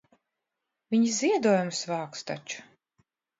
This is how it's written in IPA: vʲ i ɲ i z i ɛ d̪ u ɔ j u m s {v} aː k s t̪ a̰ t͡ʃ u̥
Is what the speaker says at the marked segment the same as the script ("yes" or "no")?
yes